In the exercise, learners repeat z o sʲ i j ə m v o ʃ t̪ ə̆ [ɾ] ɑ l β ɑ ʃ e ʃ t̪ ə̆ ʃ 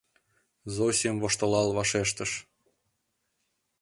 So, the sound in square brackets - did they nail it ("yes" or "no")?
no